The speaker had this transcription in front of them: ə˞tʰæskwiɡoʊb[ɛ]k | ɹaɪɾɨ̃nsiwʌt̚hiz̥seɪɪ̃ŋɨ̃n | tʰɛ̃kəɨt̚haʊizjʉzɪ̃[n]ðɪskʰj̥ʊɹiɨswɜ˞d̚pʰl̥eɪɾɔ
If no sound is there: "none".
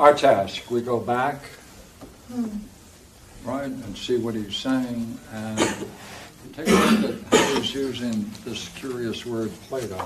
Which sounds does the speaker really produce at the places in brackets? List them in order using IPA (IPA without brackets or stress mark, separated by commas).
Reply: æ, ŋ